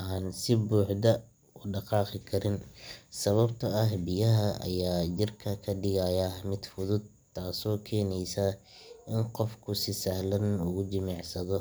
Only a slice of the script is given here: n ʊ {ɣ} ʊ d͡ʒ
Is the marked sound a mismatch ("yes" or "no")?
no